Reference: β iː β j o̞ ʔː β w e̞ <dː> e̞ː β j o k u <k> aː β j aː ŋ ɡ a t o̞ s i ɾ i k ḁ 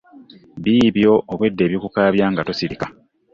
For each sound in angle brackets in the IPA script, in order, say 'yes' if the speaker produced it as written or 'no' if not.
yes, yes

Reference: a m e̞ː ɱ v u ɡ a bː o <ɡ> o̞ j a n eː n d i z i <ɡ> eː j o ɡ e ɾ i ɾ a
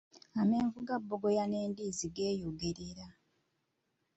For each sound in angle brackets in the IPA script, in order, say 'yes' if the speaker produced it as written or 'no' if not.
yes, yes

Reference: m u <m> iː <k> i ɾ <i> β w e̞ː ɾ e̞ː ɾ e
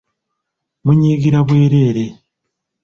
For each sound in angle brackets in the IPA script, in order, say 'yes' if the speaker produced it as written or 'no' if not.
no, no, no

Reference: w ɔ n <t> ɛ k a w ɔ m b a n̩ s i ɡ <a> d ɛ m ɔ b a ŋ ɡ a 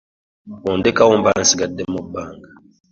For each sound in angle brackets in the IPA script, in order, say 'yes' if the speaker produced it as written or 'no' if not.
no, yes

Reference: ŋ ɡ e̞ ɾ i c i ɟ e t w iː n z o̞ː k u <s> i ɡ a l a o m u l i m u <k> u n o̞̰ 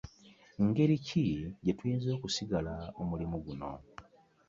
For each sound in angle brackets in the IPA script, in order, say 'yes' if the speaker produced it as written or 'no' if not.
yes, no

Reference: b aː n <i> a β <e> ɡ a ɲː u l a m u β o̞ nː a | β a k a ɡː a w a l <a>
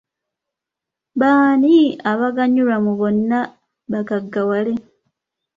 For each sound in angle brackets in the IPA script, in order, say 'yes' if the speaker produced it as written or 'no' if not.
yes, no, no

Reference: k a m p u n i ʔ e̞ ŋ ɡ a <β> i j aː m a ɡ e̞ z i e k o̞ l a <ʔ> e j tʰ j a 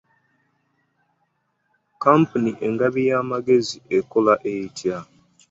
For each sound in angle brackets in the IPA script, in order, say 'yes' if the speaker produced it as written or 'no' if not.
yes, yes

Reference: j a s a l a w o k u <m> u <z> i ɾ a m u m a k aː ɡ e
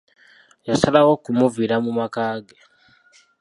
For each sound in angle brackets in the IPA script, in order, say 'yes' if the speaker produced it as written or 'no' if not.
yes, no

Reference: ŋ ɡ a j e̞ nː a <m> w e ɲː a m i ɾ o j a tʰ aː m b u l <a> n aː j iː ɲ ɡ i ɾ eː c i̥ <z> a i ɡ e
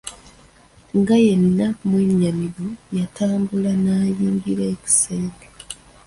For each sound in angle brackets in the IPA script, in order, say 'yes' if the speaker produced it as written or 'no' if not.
yes, yes, no

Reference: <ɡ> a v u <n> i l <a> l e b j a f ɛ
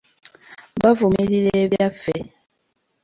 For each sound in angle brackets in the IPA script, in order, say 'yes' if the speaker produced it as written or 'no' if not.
no, no, no

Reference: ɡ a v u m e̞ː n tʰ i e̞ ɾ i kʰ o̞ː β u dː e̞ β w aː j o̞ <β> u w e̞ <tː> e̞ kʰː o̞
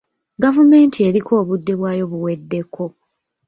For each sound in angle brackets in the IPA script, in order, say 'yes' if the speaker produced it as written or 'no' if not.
yes, no

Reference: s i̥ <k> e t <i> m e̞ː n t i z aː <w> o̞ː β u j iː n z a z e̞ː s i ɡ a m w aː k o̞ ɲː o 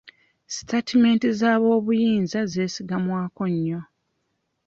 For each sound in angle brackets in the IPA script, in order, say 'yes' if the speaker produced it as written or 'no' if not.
no, yes, no

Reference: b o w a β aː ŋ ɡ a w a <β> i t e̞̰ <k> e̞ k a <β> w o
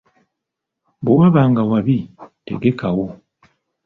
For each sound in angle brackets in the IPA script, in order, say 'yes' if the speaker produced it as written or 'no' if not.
yes, no, no

